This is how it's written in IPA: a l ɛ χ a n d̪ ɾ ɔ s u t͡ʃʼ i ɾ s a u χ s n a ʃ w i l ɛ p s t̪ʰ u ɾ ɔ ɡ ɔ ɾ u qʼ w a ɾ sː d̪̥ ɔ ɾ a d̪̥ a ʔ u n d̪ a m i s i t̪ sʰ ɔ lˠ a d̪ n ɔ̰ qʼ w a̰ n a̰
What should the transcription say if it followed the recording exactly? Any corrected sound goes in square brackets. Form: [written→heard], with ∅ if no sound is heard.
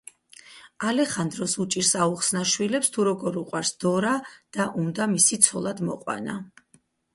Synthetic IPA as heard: a l ɛ χ a n d̪ ɾ ɔ s u t͡ʃʼ i ɾ s a u χ s n a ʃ w i l ɛ p s t̪ʰ u ɾ ɔ ɡ ɔ ɾ u qʼ w a ɾ [sː→s] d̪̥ ɔ ɾ a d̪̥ a ʔ u n d̪ a m i s i t̪ sʰ ɔ lˠ a d̪ [n→m] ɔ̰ qʼ w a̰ n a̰